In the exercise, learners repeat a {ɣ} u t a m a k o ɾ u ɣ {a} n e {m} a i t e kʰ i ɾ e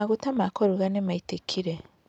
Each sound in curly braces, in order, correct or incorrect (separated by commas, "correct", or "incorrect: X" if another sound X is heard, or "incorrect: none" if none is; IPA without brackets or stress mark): correct, correct, correct